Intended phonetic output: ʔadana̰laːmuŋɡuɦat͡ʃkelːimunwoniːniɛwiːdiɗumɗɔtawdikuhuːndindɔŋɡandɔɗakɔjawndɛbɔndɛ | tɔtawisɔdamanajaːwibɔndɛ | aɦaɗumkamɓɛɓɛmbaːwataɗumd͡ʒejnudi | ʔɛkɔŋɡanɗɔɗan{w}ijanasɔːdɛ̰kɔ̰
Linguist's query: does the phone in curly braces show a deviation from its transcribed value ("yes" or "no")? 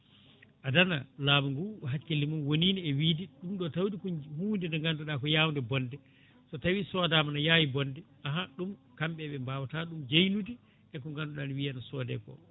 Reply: no